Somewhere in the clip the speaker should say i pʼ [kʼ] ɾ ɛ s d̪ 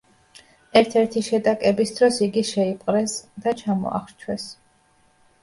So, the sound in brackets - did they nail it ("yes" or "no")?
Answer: no